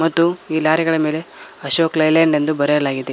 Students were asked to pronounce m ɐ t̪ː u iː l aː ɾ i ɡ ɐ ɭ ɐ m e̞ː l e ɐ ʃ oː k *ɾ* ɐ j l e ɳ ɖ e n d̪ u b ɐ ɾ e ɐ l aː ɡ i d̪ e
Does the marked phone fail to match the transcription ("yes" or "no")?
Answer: yes